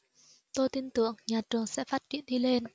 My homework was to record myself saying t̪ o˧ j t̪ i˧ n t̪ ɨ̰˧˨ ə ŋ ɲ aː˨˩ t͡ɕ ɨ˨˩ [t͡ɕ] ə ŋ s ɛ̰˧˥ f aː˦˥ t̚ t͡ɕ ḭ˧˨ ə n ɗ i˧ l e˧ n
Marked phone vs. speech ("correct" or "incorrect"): incorrect